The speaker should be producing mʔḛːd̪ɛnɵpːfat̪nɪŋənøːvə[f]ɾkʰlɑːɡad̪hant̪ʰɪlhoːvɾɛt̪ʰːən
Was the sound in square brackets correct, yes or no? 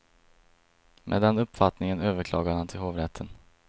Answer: no